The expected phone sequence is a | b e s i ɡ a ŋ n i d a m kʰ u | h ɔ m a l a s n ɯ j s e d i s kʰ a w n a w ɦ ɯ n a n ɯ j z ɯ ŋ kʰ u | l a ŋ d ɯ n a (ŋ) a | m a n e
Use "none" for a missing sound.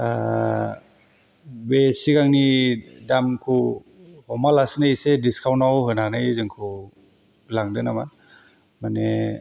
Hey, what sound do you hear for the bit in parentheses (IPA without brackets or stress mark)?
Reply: m